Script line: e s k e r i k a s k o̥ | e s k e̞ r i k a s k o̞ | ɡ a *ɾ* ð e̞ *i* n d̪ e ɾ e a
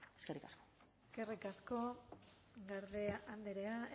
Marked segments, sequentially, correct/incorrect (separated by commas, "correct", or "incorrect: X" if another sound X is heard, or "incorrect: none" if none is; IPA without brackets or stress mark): correct, incorrect: a